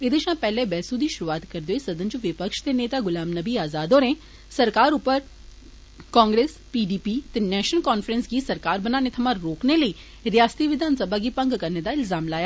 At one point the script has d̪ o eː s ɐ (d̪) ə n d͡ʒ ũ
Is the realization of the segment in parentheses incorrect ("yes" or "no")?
no